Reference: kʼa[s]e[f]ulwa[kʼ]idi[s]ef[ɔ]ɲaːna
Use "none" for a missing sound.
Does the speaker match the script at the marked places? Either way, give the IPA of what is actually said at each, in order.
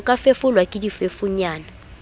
f, f, kʼ, f, u

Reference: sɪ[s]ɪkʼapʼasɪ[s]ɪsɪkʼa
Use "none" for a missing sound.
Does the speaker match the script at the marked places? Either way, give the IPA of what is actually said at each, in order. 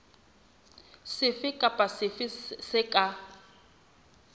f, f

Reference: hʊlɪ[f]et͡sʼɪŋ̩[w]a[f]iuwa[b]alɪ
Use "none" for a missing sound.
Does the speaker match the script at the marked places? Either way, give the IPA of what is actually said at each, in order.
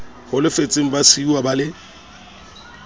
f, b, s, b

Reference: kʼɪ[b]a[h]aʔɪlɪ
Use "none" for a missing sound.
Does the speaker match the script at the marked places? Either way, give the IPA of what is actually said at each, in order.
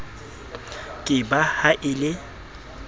b, h

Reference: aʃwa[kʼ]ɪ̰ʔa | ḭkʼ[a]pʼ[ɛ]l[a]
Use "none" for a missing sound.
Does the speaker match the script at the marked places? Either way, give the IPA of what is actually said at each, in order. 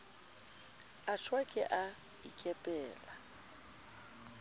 kʼ, ɛ, ɛː, a

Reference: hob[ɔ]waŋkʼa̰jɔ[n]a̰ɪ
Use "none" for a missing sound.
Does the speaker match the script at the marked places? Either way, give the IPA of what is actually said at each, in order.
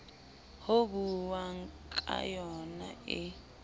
u, n

